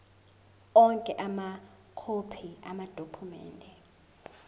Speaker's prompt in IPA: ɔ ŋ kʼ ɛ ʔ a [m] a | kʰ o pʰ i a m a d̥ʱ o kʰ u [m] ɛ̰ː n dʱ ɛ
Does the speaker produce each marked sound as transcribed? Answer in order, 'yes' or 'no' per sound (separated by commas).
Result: yes, yes